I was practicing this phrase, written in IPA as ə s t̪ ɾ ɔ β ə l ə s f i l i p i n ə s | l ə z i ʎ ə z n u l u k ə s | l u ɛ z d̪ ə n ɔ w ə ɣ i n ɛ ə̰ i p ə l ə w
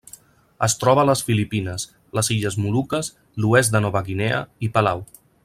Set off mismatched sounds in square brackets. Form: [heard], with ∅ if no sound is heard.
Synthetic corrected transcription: ə s t̪ ɾ ɔ β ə l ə s f i l i p i n ə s | l ə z i ʎ ə z [m] u l u k ə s | l u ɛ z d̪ ə n ɔ [β] ə ɣ i n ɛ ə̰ i p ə l [a] w